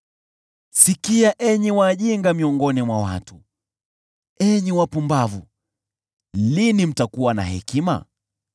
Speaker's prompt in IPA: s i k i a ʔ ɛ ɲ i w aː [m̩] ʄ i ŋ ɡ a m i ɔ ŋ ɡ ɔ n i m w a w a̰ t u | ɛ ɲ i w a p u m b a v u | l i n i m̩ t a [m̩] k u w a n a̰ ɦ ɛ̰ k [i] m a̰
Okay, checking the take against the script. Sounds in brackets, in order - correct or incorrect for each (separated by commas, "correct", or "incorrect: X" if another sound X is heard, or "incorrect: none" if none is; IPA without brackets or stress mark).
incorrect: none, incorrect: none, correct